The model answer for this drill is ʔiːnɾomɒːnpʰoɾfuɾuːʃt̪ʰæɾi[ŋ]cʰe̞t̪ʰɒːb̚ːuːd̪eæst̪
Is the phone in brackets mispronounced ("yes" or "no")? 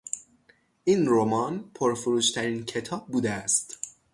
yes